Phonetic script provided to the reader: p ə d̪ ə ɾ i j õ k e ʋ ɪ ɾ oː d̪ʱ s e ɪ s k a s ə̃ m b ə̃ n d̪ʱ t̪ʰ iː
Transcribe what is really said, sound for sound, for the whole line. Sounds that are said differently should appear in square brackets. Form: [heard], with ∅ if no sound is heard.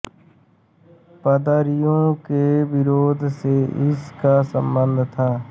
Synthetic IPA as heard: p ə d̪ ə ɾ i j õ k e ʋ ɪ ɾ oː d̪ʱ s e ɪ s k a s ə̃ m b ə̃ n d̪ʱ t̪ʰ [aː]